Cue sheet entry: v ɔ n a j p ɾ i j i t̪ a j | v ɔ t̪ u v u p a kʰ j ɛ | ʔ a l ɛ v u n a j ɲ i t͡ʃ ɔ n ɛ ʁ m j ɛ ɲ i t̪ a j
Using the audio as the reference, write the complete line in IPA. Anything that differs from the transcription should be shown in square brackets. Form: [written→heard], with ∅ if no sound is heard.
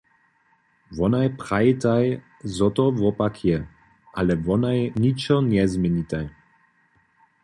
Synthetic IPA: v ɔ n a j p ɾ [i→a] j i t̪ a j | [v→z] ɔ t̪ [u→ɔ] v [u→ɔ] p a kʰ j ɛ | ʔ a l ɛ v [u→ɔ] n a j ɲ i t͡ʃ ɔ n ɛ [ʁ→z] m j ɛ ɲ i t̪ a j